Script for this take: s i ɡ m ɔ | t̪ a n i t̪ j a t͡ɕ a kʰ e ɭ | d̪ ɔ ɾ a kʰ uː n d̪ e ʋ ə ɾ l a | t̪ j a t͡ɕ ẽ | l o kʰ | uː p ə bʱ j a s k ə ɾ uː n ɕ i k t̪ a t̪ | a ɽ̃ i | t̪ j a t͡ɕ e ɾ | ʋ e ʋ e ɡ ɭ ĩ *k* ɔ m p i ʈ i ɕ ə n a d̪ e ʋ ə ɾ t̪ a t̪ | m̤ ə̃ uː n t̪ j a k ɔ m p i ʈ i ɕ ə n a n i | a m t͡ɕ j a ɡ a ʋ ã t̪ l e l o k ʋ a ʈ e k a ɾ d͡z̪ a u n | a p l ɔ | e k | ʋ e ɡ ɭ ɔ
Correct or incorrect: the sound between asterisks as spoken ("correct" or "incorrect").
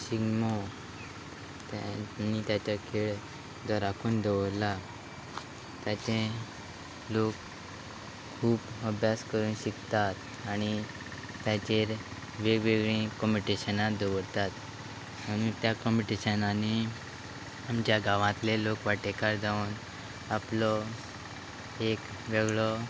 correct